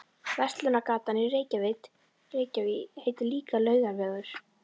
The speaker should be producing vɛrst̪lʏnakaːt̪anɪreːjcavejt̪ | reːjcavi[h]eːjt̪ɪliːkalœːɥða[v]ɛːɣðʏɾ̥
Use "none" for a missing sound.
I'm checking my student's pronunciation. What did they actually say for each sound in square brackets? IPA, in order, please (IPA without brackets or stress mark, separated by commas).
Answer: h, v